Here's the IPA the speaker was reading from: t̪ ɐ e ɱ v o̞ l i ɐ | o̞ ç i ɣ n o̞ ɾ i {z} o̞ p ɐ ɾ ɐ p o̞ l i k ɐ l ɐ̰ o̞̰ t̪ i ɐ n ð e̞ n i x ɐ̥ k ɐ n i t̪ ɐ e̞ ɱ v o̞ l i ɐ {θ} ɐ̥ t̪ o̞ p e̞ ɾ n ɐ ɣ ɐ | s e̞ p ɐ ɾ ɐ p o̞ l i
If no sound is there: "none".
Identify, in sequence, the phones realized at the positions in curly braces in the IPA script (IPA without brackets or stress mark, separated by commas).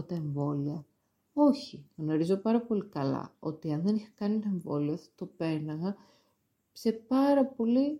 z, θ